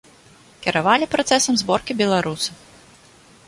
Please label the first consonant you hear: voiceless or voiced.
voiceless